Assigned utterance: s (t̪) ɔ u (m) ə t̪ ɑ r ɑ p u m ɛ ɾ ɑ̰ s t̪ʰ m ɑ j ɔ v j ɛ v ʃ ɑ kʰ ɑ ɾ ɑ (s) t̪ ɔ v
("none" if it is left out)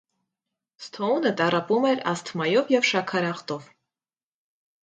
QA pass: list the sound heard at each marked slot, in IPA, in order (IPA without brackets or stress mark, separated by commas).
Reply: t̪ʰ, n, χ